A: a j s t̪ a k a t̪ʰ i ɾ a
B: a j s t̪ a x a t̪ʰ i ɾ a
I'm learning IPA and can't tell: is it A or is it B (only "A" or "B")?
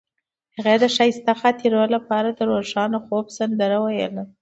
B